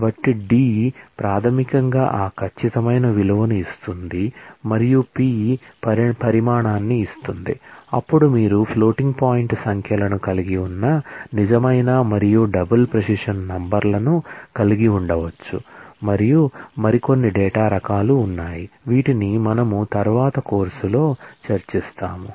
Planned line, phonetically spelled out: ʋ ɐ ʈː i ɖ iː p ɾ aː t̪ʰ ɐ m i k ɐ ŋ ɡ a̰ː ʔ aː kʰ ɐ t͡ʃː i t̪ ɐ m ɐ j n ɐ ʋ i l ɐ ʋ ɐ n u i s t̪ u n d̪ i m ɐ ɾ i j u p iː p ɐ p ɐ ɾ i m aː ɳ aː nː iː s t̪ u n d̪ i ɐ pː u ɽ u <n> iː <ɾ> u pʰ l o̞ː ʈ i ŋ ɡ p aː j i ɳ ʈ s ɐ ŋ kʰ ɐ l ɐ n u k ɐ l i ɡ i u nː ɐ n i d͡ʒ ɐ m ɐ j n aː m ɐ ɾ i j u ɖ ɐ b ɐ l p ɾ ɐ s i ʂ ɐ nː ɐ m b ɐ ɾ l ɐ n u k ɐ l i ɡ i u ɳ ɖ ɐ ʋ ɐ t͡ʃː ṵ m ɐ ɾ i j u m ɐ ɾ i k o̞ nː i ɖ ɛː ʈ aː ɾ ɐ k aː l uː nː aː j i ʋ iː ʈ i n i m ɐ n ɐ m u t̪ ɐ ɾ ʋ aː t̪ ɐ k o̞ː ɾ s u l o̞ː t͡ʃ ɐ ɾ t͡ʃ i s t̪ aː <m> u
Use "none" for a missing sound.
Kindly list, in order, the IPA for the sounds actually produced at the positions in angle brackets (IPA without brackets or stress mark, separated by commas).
m, ɾ, m